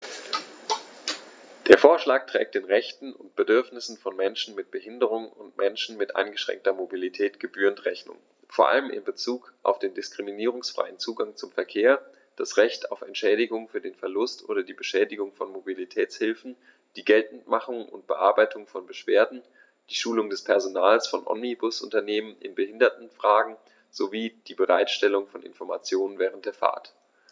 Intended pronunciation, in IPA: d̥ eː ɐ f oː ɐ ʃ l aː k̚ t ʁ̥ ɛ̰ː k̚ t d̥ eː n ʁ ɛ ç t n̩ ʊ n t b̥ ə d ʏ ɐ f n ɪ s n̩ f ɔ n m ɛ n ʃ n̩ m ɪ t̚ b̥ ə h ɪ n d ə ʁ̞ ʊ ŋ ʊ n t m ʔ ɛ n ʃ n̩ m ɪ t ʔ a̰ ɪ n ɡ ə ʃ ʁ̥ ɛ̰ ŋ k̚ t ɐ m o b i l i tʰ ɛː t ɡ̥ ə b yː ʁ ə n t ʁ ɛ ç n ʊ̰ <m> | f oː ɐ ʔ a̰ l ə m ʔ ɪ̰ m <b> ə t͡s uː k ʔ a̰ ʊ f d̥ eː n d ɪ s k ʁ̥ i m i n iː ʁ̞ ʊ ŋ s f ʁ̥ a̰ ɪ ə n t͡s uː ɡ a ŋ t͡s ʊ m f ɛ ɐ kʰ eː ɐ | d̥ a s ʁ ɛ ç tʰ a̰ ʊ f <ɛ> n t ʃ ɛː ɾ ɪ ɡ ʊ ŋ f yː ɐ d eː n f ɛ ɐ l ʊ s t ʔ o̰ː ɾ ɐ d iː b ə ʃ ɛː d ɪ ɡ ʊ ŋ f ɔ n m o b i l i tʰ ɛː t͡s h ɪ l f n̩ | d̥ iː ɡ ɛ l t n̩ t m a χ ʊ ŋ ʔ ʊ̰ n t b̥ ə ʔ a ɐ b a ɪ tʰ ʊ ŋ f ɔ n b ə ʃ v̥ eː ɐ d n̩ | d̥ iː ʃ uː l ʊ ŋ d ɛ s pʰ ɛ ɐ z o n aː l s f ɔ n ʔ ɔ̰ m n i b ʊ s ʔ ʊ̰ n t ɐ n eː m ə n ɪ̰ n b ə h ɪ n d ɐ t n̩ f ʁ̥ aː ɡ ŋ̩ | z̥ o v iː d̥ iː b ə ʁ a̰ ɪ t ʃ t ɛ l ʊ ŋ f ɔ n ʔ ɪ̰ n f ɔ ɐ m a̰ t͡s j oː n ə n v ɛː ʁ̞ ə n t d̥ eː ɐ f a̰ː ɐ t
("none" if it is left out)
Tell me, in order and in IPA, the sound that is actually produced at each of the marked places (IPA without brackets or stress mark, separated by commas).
ŋ, b, ɛ